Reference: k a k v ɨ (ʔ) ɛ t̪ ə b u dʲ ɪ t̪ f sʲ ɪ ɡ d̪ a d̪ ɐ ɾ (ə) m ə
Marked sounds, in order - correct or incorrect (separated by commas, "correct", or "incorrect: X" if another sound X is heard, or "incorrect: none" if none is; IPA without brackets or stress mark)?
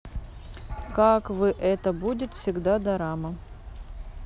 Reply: correct, incorrect: a